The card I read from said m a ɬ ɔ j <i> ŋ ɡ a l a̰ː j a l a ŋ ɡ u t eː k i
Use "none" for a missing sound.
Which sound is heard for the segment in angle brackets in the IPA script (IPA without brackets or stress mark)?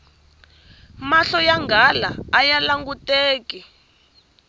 a